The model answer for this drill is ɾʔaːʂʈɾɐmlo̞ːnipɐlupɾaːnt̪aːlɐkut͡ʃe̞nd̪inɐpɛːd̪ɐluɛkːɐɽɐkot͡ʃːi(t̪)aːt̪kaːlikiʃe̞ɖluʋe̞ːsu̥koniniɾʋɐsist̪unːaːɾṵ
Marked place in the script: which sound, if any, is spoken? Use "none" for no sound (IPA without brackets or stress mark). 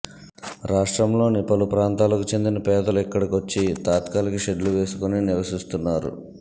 t̪